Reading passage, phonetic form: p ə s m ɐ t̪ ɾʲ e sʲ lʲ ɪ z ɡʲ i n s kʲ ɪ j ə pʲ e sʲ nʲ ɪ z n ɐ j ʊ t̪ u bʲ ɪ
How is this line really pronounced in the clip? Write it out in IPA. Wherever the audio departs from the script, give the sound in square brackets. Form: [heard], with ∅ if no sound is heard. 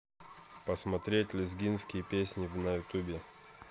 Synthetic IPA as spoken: p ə s m ɐ t̪ ɾʲ e [tʲ] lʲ ɪ z ɡʲ i n s kʲ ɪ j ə pʲ e sʲ nʲ ɪ [v] n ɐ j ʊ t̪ u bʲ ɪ